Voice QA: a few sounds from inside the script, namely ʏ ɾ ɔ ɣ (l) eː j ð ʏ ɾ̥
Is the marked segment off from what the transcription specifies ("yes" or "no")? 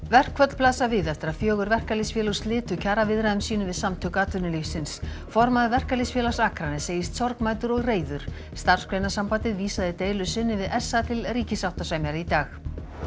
yes